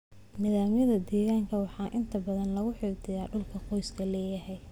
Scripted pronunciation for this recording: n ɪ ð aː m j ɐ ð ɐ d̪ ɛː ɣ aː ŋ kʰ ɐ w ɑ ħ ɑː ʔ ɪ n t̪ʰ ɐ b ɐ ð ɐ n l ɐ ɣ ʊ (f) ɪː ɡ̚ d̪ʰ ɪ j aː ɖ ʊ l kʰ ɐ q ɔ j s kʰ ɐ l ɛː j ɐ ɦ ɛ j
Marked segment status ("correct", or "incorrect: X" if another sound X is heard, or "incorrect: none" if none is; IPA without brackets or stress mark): incorrect: ħ